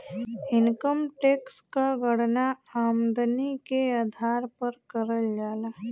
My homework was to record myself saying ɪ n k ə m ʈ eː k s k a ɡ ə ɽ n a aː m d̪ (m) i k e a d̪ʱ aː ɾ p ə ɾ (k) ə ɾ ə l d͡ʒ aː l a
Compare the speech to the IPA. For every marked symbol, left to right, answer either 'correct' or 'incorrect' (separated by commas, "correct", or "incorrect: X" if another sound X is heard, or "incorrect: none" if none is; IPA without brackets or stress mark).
incorrect: n, correct